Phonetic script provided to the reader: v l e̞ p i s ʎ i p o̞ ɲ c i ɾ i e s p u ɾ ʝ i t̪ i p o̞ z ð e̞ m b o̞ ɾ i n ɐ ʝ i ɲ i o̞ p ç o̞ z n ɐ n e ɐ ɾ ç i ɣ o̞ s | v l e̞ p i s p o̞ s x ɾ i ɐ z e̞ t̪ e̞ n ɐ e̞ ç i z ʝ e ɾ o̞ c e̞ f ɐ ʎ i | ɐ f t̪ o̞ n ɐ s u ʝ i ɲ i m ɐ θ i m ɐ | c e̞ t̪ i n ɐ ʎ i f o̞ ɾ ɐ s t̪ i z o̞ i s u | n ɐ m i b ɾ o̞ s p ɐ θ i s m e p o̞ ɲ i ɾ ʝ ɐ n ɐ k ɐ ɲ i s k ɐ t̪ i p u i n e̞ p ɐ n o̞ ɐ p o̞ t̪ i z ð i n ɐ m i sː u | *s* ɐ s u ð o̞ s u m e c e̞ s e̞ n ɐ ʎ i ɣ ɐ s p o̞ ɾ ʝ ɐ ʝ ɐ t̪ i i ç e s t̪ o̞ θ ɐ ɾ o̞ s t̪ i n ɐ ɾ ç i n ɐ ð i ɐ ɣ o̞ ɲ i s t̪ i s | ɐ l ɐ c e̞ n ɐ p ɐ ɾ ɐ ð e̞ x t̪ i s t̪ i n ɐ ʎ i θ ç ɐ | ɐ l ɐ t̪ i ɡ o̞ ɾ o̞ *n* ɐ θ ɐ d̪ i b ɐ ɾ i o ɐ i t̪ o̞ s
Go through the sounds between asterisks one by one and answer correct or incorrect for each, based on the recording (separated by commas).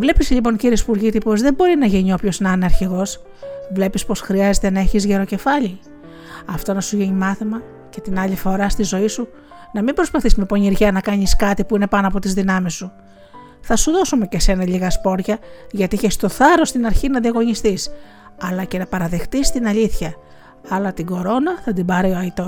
incorrect, correct